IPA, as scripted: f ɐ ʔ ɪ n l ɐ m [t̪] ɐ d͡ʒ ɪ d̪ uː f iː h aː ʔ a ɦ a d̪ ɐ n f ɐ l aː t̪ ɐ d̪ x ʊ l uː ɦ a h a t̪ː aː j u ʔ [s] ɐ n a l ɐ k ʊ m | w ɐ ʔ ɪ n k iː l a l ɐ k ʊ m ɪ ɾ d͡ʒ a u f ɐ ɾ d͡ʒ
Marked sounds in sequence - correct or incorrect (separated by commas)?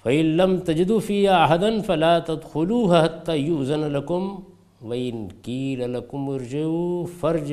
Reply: correct, incorrect